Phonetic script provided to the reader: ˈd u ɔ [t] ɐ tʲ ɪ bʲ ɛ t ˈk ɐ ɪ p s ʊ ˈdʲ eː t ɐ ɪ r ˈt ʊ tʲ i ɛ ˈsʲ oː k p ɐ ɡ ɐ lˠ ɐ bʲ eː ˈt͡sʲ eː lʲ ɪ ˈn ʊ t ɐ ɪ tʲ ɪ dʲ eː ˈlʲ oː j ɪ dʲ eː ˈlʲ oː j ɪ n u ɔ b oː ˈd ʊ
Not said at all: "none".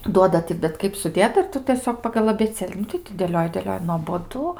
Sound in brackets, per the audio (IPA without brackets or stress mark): d